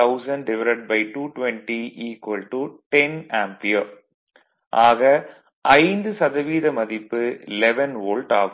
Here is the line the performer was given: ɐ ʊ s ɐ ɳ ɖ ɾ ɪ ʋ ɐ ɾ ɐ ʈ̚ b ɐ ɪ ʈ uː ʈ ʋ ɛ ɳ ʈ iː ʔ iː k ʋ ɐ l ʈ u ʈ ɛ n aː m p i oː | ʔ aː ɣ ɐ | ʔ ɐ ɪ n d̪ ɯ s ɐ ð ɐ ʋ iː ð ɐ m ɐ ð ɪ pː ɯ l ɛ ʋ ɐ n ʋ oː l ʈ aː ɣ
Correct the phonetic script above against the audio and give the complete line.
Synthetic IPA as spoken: ɐ ʊ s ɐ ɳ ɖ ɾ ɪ ʋ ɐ ɾ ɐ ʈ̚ b ɐ ɪ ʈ uː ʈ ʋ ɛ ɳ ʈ i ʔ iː k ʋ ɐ l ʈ u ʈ ɛ n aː m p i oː | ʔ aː ɣ ɐ | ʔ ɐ ɪ n d̪ ɯ s ɐ ð ɐ ʋ iː ð ɐ m ɐ ð ɪ pː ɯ l ɛ ʋ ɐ n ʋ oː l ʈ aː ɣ